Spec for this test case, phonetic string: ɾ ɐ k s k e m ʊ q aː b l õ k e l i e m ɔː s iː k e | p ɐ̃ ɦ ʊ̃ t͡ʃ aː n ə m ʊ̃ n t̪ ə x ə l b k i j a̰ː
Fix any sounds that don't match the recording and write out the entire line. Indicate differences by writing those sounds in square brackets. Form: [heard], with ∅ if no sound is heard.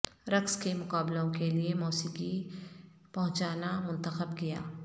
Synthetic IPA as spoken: ɾ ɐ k s k e m ʊ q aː b l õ k e l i e m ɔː s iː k [i] | p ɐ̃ ɦ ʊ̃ t͡ʃ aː n [a] m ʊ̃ n t̪ ə x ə [∅] b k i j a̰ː